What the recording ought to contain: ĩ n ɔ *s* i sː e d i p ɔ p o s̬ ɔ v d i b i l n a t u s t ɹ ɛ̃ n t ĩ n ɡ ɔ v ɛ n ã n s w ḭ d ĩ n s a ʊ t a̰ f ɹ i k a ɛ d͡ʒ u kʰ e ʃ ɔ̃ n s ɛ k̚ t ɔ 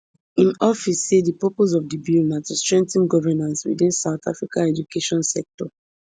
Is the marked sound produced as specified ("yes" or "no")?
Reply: no